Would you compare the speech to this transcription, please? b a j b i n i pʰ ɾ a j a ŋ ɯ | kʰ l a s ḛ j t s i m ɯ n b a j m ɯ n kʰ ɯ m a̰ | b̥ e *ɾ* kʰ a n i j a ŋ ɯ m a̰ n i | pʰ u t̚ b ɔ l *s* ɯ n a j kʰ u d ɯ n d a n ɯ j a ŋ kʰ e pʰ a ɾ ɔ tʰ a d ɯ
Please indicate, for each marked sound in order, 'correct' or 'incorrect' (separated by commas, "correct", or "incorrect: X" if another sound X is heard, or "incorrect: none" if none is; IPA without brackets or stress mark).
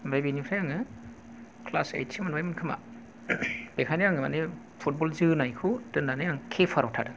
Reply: incorrect: none, incorrect: z